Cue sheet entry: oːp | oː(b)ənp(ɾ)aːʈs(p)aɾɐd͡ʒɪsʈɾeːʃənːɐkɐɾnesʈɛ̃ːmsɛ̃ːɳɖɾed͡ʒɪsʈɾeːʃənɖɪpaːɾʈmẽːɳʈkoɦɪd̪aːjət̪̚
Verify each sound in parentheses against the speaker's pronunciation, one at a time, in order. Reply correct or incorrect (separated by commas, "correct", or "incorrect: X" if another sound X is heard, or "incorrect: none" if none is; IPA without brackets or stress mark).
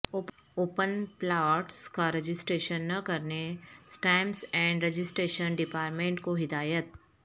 incorrect: p, incorrect: l, incorrect: k